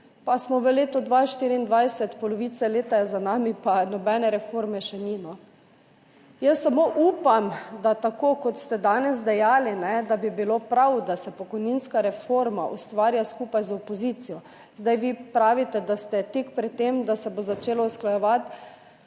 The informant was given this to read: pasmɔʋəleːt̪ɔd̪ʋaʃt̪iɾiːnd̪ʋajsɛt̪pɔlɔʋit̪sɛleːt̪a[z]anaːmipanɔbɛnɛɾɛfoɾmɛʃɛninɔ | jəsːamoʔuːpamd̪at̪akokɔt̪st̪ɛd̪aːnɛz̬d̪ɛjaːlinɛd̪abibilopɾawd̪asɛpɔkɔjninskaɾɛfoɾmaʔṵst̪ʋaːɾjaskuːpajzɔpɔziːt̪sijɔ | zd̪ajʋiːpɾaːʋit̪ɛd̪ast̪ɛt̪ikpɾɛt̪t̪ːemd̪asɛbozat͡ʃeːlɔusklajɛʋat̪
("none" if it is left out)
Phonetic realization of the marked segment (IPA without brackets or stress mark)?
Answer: z